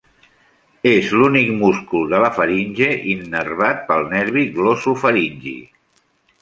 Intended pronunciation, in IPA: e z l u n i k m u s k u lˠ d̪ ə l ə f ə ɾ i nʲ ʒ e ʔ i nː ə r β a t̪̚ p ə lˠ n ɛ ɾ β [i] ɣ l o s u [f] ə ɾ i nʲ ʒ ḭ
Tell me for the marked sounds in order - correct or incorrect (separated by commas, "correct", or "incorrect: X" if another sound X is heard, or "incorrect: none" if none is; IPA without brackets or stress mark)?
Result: correct, correct